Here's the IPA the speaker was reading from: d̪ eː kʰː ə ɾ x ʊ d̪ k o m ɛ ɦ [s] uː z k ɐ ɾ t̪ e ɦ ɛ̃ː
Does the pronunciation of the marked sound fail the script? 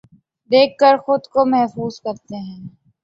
yes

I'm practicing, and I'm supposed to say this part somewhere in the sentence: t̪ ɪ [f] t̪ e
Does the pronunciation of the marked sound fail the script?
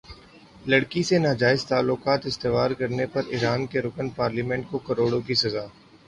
yes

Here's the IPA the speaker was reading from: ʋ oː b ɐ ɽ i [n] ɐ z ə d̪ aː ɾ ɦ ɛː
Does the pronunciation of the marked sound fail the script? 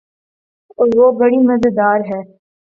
yes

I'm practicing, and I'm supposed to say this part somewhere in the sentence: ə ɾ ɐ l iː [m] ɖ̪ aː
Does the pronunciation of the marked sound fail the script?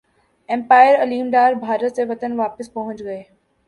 no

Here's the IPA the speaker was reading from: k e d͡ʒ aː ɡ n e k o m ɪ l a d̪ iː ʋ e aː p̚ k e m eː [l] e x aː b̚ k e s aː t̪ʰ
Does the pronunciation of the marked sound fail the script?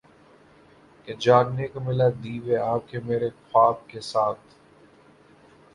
yes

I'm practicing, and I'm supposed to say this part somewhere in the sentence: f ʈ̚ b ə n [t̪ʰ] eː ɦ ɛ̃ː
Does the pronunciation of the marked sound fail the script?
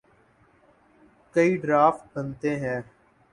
yes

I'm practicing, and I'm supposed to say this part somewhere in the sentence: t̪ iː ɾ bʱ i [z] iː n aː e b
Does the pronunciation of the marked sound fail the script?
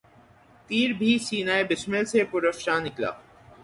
yes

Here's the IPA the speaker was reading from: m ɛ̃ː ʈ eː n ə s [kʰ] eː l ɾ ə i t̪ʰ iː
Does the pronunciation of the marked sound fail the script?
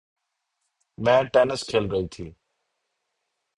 no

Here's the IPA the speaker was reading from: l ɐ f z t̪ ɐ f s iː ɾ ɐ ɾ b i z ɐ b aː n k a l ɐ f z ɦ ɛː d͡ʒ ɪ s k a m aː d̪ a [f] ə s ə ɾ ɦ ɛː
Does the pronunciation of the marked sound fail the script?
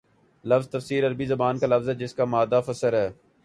no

